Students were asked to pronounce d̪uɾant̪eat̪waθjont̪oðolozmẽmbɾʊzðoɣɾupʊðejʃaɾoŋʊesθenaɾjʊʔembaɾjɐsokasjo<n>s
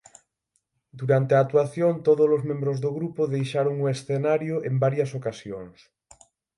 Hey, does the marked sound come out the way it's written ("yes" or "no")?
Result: no